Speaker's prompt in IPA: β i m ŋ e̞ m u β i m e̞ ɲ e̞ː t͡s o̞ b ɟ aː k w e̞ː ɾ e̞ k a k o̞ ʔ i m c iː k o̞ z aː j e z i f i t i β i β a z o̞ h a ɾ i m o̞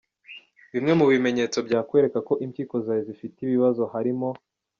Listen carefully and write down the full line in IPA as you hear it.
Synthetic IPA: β i m ŋ e̞ m u β i m e̞ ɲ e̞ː t͡s o̞ b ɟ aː k w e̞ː ɾ e̞ k a k o̞ ʔ i m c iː k o̞ z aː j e z i f i t i β i β a z o̞ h a ɾ i m o̞